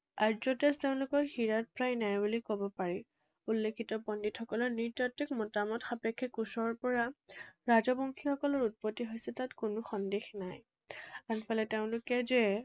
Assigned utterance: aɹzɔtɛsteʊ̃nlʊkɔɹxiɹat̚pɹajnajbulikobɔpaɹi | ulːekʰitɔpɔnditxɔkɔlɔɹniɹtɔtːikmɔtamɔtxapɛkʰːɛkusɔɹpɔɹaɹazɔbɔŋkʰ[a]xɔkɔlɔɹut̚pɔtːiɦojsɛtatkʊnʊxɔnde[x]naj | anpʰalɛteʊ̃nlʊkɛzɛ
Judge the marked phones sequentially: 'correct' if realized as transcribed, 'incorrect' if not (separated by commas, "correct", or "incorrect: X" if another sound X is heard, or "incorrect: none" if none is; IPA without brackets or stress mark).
incorrect: i, correct